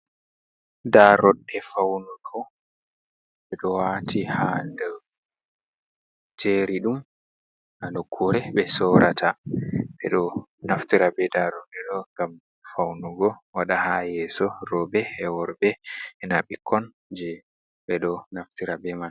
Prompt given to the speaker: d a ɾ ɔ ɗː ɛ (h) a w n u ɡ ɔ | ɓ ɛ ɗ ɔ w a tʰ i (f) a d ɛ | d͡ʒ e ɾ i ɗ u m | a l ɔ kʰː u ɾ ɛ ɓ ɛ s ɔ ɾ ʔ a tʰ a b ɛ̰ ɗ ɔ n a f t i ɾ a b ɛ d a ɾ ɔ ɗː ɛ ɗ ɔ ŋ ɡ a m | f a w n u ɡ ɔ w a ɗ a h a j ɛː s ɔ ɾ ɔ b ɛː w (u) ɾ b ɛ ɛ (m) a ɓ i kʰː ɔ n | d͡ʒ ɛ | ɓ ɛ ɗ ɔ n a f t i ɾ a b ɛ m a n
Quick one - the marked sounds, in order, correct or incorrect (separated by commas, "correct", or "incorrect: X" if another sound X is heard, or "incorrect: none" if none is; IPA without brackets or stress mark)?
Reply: incorrect: f, incorrect: h, incorrect: ɔ, incorrect: n